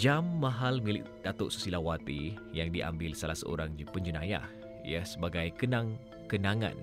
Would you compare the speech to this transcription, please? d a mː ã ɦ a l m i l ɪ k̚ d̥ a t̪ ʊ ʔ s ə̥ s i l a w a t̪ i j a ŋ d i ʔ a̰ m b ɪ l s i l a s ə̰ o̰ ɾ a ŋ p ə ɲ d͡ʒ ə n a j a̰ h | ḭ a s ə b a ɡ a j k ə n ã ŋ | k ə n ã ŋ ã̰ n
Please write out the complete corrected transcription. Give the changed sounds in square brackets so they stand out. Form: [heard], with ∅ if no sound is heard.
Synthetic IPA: [d͡ʒ] a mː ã ɦ a l m i l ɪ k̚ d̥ a t̪ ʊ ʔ s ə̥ s i l a w a t̪ i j a ŋ d i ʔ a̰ m b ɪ l s [a] l a s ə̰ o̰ ɾ a ŋ p ə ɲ d͡ʒ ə n a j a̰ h | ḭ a s ə b a ɡ a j k ə n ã ŋ | k ə n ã ŋ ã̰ n